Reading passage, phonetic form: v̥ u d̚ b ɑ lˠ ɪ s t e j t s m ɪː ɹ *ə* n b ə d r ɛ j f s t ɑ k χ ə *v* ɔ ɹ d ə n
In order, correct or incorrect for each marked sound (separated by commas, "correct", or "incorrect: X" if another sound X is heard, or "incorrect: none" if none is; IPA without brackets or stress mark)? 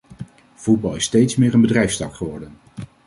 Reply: correct, incorrect: ʋ